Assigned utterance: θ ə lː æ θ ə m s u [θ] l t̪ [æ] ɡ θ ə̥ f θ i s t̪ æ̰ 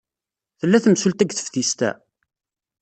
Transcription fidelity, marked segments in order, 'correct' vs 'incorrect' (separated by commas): incorrect, correct